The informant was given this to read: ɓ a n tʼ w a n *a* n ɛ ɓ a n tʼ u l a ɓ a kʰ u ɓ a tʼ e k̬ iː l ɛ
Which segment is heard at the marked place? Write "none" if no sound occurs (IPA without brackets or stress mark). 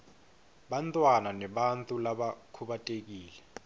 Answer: a